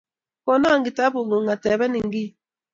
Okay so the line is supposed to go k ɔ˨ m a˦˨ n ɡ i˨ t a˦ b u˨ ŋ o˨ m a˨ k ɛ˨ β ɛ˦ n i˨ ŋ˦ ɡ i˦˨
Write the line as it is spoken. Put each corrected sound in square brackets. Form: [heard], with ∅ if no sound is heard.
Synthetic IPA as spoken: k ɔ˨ [n] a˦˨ [ŋ] ɡ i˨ t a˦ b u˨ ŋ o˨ [ŋ] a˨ [t] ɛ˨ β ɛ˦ n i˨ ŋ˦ ɡ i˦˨